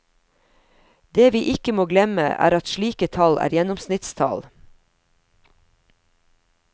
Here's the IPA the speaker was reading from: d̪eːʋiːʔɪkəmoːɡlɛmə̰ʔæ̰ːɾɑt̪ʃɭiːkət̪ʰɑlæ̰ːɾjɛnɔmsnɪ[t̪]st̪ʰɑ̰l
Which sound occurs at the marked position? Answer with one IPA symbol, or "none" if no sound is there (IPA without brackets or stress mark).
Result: t̪